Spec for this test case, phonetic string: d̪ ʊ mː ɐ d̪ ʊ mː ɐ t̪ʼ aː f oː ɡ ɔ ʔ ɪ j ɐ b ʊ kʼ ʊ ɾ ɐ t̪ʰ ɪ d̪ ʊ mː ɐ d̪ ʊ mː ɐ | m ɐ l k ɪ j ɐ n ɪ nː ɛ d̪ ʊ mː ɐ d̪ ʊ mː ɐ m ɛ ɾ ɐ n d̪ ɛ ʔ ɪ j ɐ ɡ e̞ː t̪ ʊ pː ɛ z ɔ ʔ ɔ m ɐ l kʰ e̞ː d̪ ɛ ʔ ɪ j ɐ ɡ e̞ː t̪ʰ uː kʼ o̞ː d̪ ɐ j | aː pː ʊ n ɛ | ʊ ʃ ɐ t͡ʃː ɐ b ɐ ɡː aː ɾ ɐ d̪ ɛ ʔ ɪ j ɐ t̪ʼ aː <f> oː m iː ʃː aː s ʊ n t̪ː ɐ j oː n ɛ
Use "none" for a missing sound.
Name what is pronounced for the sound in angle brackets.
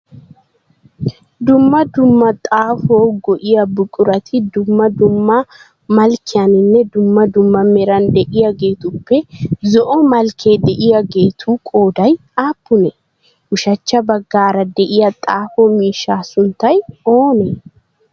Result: f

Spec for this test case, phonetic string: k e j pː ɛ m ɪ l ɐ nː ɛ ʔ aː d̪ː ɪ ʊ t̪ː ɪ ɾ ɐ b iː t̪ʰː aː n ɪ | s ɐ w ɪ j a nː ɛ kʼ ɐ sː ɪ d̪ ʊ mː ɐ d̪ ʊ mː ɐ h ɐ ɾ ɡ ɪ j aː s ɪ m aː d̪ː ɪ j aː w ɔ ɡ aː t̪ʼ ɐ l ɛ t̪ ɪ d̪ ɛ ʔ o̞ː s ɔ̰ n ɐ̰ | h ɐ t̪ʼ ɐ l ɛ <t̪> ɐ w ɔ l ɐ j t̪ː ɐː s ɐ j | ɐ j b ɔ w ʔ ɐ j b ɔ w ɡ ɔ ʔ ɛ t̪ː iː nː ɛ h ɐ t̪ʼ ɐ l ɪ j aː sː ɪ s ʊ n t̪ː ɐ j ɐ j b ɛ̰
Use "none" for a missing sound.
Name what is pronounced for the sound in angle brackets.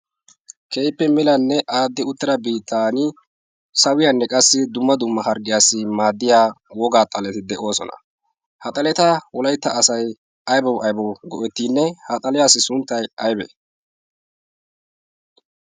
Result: t̪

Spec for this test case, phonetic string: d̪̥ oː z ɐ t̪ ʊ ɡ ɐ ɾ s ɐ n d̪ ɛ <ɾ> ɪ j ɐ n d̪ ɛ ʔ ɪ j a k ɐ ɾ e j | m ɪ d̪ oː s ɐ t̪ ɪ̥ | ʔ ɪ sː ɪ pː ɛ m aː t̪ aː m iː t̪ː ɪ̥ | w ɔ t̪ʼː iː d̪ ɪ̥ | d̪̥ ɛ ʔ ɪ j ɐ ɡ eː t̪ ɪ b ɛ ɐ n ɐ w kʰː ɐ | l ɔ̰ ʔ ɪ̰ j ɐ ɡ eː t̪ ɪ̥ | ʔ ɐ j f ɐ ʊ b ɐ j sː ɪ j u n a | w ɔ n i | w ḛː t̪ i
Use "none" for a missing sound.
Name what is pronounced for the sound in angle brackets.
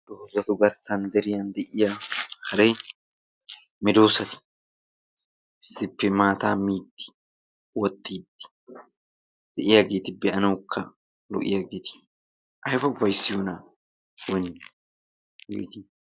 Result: ɾ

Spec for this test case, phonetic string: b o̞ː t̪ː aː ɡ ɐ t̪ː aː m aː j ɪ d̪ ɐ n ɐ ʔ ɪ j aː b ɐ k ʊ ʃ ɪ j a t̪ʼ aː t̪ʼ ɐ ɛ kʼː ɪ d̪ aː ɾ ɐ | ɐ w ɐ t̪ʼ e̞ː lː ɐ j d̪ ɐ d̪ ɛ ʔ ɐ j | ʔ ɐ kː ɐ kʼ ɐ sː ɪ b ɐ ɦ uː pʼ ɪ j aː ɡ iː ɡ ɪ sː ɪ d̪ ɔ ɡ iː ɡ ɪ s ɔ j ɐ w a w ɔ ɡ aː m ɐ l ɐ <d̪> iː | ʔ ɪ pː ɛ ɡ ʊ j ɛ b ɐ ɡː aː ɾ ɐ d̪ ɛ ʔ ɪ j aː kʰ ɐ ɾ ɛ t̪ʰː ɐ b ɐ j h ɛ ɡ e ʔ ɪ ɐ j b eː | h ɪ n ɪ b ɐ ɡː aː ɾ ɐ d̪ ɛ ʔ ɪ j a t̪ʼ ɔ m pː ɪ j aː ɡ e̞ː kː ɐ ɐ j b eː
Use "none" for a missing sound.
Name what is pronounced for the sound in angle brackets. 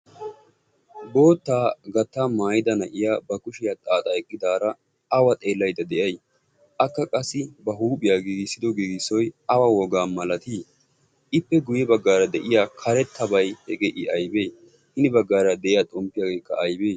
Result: t̪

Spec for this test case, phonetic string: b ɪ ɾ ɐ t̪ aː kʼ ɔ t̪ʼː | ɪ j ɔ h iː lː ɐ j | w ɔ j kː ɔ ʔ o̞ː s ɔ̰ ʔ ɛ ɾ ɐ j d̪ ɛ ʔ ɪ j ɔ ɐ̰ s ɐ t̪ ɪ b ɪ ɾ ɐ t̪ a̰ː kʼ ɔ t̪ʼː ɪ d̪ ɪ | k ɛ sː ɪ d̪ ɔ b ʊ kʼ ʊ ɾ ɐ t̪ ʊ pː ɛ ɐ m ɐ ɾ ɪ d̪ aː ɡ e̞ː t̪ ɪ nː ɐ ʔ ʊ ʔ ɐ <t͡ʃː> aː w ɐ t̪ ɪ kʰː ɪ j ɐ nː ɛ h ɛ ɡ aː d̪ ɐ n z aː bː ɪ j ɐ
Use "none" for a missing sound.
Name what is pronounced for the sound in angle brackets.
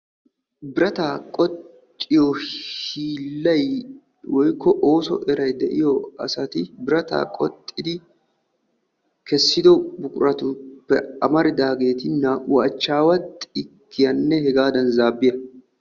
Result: t͡ʃː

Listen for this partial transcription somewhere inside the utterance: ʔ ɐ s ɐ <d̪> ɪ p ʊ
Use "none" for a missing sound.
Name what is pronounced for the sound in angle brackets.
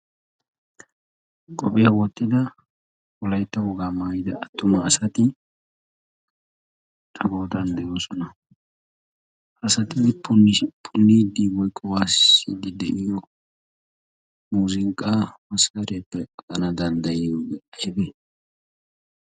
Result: t̪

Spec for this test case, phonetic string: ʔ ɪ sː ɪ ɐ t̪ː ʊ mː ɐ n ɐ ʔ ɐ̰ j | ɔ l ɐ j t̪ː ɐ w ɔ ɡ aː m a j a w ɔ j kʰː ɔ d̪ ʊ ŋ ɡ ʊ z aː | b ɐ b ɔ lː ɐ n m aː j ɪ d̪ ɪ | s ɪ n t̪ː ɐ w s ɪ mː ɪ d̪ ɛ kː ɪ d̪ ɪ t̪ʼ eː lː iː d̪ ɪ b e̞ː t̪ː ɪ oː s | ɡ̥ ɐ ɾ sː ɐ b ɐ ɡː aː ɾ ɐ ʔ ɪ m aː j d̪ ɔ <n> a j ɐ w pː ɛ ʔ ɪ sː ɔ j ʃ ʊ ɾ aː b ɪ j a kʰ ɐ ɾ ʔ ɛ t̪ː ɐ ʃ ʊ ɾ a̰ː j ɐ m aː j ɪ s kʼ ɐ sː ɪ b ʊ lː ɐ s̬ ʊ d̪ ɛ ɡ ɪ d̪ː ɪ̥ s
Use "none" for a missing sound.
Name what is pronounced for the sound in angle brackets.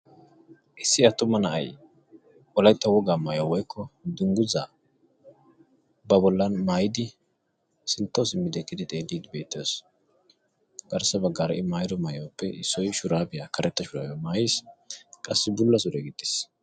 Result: m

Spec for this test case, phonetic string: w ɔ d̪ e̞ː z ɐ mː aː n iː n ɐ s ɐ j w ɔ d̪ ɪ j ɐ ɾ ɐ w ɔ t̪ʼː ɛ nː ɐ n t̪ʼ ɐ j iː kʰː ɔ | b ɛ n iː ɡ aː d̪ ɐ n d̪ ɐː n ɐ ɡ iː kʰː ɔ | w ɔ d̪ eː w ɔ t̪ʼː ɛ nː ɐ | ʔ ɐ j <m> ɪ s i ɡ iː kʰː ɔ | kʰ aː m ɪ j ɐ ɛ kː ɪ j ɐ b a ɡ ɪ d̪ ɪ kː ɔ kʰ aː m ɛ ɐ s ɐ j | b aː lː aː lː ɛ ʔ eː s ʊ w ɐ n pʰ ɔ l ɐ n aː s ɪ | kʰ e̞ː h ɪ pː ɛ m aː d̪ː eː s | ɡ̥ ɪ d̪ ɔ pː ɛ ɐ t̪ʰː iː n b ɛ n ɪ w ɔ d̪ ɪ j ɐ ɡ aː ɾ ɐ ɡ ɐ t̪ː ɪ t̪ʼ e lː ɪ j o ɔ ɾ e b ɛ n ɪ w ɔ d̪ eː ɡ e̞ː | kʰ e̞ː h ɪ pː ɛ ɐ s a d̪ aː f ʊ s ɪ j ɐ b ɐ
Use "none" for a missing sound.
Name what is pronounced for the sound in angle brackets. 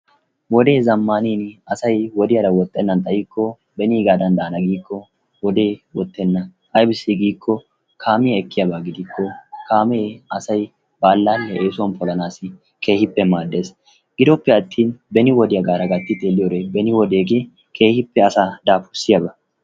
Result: b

